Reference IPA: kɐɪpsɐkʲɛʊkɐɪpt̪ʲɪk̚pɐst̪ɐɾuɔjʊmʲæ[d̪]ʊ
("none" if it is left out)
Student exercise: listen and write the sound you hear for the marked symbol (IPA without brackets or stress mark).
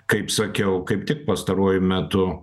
t̪